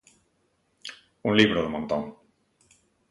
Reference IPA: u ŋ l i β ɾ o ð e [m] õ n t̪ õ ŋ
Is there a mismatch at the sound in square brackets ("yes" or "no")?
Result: no